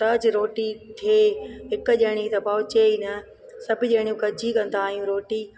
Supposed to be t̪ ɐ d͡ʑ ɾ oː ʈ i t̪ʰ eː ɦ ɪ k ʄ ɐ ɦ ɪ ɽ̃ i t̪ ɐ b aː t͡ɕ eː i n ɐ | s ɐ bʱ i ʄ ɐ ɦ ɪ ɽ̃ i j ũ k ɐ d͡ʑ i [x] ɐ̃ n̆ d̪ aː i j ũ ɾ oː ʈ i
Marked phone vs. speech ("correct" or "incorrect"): incorrect